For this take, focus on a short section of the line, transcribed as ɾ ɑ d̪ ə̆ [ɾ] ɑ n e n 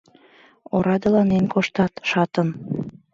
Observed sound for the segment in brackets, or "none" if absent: l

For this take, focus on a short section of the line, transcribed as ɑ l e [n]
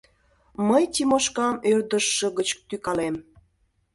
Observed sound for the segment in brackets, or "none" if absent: m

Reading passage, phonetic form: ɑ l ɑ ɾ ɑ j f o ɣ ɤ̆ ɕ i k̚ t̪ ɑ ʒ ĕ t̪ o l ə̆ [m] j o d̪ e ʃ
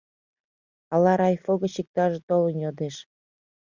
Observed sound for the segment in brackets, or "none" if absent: n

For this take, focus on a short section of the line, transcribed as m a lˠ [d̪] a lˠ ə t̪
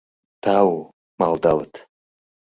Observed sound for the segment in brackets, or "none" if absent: d̪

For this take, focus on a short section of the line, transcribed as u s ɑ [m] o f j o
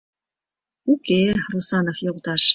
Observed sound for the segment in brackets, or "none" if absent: n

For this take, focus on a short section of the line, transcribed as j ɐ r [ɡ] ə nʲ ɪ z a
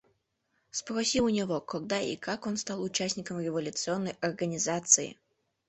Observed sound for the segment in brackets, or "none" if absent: ɡ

